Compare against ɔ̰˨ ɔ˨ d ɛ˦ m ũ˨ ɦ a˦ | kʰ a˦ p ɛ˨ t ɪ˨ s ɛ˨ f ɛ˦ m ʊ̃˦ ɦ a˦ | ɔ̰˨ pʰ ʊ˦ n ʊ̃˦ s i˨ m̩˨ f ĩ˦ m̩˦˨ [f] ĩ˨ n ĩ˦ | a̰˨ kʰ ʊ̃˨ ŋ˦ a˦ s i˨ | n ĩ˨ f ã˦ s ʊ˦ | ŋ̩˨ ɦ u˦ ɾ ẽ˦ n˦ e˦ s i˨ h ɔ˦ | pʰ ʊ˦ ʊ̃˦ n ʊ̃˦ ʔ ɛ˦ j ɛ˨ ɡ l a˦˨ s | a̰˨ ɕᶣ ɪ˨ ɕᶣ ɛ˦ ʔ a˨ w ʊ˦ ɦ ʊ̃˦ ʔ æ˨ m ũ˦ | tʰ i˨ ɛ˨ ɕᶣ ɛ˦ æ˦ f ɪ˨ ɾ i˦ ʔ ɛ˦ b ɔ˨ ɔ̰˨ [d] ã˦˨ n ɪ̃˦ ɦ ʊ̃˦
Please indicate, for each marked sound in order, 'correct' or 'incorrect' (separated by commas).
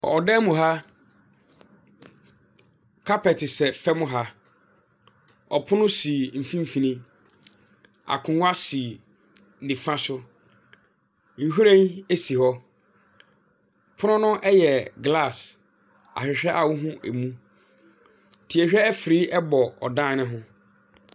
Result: correct, correct